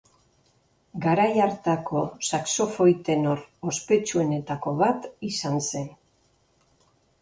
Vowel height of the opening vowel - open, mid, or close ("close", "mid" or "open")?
open